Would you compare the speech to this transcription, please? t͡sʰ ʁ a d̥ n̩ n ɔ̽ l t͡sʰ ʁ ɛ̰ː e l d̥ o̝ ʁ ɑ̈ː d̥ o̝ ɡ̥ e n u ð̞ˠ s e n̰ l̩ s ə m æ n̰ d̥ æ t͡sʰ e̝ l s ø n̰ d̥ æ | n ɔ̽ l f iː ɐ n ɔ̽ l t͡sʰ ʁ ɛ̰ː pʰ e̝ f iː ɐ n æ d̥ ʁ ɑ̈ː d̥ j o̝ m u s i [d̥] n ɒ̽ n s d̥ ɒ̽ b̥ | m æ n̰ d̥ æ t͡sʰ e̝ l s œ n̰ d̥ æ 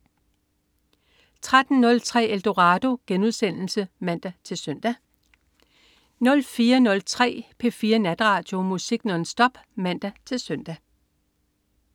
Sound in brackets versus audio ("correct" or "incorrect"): incorrect